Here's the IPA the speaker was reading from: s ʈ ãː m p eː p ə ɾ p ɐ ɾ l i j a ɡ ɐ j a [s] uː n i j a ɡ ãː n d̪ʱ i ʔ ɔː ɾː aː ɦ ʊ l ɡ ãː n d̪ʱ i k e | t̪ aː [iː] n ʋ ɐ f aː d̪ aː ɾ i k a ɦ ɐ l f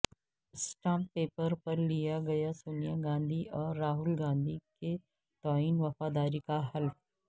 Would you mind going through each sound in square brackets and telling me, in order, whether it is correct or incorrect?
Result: correct, correct

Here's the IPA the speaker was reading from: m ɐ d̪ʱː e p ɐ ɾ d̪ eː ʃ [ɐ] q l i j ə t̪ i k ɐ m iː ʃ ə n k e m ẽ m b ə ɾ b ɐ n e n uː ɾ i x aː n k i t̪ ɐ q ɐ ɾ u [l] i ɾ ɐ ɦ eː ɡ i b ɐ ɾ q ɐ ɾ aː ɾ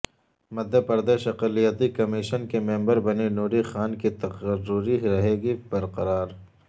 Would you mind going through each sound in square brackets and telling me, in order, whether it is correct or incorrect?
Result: correct, incorrect: ɾ

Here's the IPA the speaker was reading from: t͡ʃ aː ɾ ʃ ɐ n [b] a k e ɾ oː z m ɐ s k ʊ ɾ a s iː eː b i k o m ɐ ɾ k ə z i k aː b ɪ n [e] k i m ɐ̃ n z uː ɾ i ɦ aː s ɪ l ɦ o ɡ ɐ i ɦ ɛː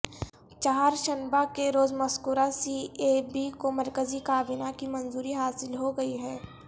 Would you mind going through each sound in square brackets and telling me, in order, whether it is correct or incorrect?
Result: correct, incorrect: a

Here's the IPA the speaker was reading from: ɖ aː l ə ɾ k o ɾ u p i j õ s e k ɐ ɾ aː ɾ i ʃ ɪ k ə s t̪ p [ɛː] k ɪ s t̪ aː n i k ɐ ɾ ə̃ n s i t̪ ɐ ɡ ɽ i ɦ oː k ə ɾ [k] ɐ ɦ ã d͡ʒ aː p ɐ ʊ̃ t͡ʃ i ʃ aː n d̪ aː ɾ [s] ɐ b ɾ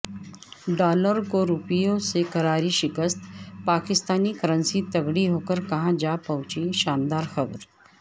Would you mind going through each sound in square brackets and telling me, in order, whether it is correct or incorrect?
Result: incorrect: aː, correct, incorrect: x

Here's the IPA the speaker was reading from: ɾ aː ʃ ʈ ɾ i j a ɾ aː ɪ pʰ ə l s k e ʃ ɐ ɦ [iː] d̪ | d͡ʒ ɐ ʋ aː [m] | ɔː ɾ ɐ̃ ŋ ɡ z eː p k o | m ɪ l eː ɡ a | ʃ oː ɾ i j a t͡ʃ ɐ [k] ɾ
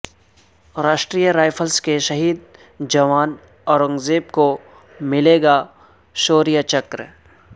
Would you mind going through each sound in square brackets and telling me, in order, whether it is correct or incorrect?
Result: correct, incorrect: n, correct

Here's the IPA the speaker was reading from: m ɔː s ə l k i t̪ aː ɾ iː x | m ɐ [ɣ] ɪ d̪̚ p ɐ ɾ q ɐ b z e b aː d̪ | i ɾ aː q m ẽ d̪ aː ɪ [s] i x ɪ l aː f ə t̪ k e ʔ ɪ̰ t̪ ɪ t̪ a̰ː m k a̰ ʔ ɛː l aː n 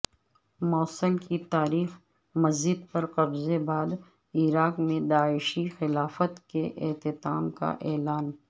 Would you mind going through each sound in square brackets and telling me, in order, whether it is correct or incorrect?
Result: incorrect: z, incorrect: ʃ

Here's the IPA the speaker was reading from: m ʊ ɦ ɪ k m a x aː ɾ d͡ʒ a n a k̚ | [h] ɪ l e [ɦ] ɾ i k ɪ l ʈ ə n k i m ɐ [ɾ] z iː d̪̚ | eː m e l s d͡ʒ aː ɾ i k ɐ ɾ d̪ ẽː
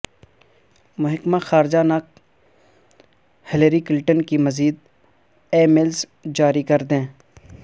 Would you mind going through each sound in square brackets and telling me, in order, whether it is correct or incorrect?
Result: correct, incorrect: none, incorrect: none

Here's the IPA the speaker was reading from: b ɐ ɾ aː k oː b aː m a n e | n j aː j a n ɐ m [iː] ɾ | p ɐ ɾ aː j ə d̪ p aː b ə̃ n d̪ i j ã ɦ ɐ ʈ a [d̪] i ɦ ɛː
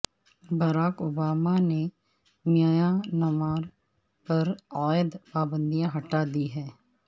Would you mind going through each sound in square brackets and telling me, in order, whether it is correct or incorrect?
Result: incorrect: aː, correct

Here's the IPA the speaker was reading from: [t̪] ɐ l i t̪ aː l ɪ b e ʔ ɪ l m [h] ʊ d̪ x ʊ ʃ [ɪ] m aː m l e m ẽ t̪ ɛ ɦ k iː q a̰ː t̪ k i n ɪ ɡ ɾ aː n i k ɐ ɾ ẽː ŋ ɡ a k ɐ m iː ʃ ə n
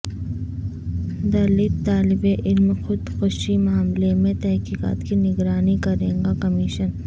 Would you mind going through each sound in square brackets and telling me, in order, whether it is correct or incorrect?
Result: incorrect: d̪, incorrect: x, incorrect: i

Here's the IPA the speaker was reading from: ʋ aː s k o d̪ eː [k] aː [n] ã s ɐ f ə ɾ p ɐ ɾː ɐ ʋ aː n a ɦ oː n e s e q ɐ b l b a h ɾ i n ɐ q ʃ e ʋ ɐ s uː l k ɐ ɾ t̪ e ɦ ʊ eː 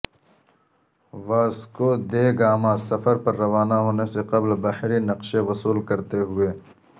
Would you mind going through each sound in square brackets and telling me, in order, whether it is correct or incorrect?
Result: incorrect: ɡ, incorrect: m

